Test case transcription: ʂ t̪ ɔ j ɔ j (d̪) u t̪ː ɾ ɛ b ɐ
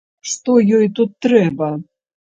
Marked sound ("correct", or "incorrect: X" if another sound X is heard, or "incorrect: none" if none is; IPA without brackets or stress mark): incorrect: t̪